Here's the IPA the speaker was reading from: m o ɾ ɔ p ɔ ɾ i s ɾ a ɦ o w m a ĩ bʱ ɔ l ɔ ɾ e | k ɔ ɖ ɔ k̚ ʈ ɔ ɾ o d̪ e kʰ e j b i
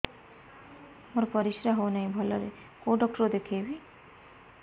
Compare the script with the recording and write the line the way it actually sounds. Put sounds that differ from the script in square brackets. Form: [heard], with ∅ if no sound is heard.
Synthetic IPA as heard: m o ɾ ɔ p ɔ ɾ i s ɾ a ɦ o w [n] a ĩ bʱ ɔ l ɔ ɾ e | k [o] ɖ ɔ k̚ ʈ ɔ ɾ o d̪ e kʰ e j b i